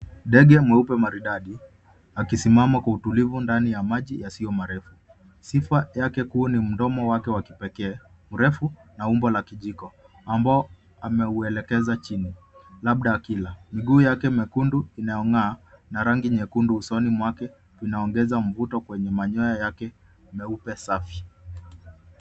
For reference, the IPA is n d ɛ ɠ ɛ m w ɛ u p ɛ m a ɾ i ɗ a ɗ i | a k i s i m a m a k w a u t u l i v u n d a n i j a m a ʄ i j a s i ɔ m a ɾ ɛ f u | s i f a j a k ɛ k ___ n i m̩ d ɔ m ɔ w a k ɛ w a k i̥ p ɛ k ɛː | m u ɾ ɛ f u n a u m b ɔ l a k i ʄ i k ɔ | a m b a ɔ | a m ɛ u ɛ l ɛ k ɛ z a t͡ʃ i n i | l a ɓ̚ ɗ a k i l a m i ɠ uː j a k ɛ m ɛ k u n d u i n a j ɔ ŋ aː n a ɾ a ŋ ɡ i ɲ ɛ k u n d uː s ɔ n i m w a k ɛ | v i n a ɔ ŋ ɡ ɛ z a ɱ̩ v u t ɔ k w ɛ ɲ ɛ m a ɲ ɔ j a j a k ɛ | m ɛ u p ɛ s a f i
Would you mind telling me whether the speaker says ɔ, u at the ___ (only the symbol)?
u